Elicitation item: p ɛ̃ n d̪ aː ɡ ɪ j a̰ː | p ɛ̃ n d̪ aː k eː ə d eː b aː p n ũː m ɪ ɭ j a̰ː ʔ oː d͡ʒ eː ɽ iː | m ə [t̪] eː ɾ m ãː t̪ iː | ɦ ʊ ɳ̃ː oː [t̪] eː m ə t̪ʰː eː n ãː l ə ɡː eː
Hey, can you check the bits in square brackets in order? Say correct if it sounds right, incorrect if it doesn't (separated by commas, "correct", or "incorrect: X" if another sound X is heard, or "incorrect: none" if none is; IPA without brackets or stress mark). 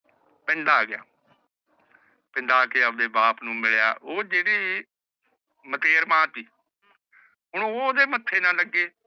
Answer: correct, incorrect: d̪